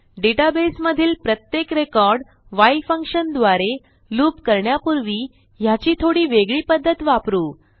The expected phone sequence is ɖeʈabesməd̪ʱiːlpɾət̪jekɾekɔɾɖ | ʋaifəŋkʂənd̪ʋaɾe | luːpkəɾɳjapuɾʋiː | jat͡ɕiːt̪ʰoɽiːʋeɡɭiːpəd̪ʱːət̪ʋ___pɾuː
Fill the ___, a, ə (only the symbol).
a